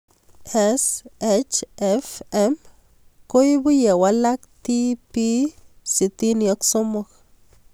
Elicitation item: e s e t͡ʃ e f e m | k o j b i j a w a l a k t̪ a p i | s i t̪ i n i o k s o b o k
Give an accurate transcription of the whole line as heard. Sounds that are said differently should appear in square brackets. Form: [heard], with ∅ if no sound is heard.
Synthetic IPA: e s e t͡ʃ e f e m | k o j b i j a w a l a k t̪ [i] p i | s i t̪ i n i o k s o [m] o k